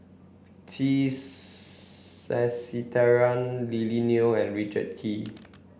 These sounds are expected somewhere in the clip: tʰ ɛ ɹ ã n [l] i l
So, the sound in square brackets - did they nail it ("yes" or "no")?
yes